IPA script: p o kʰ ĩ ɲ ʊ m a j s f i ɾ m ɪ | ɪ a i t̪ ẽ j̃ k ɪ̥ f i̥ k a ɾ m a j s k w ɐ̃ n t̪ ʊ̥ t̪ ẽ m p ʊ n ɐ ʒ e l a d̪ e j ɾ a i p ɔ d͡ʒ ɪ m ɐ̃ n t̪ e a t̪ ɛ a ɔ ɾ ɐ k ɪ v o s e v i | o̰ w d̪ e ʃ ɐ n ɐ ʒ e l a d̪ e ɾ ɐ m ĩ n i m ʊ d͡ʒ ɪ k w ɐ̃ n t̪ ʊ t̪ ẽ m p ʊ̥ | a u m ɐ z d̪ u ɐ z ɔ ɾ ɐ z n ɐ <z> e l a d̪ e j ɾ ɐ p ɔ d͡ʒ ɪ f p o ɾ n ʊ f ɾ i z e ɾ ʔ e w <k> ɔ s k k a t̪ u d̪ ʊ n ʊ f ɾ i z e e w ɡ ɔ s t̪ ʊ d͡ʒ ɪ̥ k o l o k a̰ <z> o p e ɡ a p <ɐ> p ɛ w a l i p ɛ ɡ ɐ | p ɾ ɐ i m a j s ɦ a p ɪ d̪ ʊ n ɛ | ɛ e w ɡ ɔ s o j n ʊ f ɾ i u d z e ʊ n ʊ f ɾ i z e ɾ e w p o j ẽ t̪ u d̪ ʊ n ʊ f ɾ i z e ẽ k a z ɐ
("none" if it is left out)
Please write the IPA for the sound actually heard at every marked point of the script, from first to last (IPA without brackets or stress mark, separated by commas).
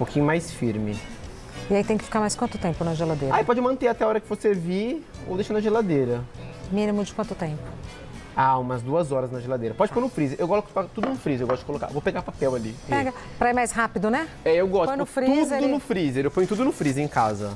ʒ, ɡ, v, a